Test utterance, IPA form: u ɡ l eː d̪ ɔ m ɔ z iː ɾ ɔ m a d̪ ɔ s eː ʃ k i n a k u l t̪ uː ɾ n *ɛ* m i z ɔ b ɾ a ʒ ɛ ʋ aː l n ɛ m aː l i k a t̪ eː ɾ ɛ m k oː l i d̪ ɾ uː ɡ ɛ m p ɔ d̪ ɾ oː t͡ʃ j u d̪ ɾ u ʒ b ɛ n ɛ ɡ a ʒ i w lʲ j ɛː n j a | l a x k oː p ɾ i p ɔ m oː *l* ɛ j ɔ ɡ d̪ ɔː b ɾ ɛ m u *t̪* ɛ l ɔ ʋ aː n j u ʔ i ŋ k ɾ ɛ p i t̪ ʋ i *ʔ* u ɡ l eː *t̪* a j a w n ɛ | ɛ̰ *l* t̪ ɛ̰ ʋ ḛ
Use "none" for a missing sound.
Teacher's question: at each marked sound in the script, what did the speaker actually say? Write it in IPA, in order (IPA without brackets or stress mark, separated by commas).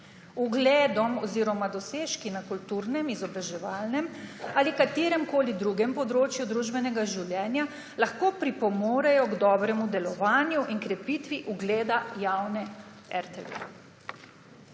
ɛ, ɾ, d̪, ʔ, d̪, ɾ